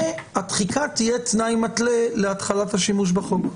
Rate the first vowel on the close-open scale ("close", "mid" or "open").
open